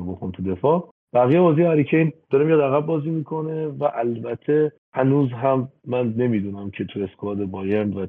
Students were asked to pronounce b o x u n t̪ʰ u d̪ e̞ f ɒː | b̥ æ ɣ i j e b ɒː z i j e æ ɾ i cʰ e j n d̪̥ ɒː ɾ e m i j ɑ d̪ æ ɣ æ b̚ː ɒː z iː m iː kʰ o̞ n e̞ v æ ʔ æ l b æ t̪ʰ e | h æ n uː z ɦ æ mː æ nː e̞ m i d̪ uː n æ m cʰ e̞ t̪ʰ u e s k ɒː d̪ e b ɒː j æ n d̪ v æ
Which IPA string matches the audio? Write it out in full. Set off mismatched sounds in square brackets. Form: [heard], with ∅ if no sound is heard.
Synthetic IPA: b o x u n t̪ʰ u d̪ e̞ f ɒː | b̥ æ ɣ i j e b ɒː z i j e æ ɾ i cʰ e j n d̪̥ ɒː ɾ e m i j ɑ d̪ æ ɣ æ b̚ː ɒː z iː m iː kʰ o̞ n e̞ v æ ʔ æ l b æ t̪ʰ e | h æ n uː z ɦ æ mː æ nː e̞ m i d̪ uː n æ m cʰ e̞ t̪ʰ u e s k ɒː d̪ e b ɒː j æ n d̪ v æ